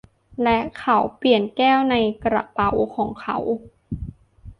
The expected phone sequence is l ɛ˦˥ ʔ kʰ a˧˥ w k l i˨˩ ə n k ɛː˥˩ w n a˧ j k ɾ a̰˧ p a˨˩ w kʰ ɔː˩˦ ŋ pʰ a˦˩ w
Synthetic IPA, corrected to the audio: l ɛ˦˥ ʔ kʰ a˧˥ w p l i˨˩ ə n k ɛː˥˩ w n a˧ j k ɾ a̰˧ p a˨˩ w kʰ ɔː˩˦ ŋ kʰ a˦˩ w